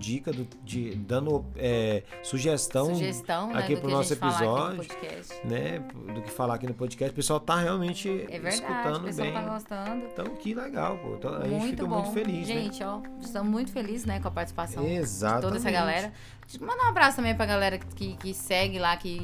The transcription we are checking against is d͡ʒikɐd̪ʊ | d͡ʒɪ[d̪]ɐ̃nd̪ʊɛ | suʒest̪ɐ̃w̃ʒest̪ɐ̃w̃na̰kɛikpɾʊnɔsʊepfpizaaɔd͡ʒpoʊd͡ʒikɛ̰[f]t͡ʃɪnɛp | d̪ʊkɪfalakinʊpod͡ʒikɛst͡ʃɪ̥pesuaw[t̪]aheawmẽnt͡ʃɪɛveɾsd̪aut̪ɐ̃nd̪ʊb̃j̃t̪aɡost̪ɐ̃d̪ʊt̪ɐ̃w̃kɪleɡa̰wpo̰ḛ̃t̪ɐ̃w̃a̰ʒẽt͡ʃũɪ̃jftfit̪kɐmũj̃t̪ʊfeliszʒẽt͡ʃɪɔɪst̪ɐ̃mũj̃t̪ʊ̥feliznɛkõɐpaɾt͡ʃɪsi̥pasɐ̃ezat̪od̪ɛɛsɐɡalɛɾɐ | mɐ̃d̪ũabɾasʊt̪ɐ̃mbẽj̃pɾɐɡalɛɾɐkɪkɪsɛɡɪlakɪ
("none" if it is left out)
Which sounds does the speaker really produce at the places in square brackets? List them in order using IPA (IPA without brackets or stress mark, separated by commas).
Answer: d̪, s, t̪